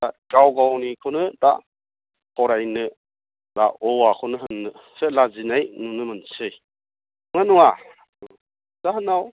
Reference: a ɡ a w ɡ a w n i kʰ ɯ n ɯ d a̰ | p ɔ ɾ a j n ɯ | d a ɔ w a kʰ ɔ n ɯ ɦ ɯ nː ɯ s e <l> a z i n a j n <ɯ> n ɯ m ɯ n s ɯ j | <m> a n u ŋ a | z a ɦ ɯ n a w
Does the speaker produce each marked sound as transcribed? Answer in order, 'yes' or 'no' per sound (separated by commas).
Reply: yes, no, no